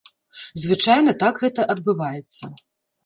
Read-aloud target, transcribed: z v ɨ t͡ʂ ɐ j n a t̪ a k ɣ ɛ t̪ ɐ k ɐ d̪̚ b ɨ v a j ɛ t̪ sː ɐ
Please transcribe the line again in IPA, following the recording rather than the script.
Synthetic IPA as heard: z v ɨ t͡ʂ a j n ɐ t̪ a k ɣ ɛ t̪ ɐ ʔ ɐ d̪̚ b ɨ v a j ɛ t̪ sː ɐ